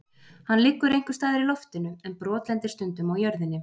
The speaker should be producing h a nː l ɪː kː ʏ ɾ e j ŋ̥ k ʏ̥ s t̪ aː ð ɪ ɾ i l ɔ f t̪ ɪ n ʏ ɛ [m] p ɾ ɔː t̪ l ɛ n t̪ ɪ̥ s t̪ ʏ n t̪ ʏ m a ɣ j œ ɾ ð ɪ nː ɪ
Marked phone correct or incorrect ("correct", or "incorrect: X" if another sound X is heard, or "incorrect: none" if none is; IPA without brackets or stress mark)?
incorrect: n